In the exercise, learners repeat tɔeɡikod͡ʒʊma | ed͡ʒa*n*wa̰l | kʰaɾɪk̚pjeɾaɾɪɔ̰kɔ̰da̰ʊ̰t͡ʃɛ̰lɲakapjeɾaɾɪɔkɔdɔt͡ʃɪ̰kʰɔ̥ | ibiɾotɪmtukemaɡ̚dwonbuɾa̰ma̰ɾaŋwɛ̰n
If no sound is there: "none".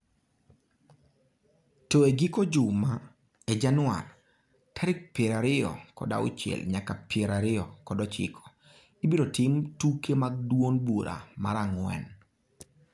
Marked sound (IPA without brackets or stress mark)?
n